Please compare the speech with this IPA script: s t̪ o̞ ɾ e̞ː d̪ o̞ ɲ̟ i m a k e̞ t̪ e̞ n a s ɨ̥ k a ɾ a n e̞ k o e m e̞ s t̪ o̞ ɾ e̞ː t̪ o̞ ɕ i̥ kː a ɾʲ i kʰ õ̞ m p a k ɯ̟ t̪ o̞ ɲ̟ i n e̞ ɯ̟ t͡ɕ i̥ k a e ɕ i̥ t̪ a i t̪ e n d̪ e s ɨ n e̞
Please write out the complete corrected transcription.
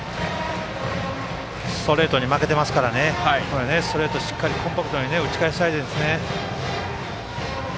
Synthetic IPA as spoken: s t̪ o̞ ɾ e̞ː t̪ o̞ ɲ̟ i m a k e̞ t̪ e̞ m a s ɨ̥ k a ɾ a n e̞ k o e n e̞ s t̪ o̞ ɾ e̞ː t̪ o̞ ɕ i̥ kː a ɾʲ i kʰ õ̞ m p a k ɯ̟ t̪ o̞ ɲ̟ i n e̞ ɯ̟ t͡ɕ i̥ k a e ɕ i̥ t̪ a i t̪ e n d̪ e s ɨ n e̞